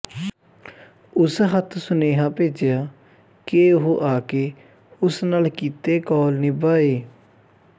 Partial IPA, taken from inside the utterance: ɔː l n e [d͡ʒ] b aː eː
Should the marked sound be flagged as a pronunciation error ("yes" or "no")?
yes